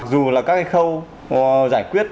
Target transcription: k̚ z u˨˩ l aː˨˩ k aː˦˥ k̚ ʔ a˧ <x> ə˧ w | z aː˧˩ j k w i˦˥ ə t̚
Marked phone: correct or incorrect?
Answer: correct